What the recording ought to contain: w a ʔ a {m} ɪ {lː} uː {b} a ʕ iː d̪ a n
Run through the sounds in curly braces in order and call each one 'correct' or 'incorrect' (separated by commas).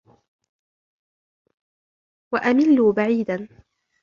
correct, correct, correct